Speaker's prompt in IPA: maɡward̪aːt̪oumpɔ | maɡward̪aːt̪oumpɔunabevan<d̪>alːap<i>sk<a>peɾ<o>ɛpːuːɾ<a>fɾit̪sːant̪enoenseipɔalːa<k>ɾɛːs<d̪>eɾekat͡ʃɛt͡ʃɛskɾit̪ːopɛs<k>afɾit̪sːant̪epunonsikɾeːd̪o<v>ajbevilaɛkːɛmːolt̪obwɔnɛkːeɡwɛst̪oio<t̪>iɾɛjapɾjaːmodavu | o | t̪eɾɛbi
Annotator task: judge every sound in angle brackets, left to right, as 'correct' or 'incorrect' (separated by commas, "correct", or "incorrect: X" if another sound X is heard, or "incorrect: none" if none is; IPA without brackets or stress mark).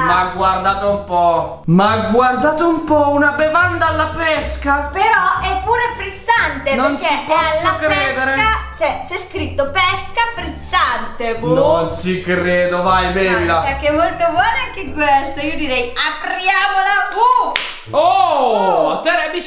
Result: correct, incorrect: ɛ, correct, incorrect: ɔ, incorrect: e, correct, correct, correct, correct, incorrect: d̪